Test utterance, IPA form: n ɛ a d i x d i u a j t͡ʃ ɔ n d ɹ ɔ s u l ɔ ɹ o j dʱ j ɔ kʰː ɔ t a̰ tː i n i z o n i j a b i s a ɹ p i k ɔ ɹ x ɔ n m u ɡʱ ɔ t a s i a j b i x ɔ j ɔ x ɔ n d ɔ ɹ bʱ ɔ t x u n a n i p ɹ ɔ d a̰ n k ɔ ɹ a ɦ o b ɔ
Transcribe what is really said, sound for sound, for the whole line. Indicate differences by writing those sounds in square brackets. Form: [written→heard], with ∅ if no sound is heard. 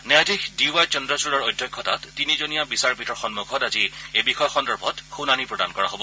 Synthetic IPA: n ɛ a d i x d i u a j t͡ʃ ɔ n d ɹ ɔ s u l ɔ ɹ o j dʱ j ɔ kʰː ɔ t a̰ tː i n i z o n i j a b i s a ɹ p i [k→t] ɔ ɹ x ɔ n m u ɡʱ ɔ t a [s→z] i [a→e] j b i x ɔ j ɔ x ɔ n d ɔ ɹ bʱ ɔ t x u n a n i p ɹ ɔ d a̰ n k ɔ ɹ a ɦ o b ɔ